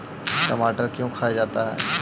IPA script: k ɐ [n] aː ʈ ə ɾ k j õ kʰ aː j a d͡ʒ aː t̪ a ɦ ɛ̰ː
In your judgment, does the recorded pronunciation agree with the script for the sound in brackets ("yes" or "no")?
no